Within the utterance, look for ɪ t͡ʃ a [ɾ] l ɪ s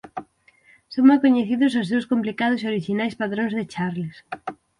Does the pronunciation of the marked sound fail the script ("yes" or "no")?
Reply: no